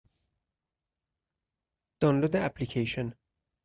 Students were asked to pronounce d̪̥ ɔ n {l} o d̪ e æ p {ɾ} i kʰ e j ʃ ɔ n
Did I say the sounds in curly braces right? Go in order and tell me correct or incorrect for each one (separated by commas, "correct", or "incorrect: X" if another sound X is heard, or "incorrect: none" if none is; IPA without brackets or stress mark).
correct, incorrect: l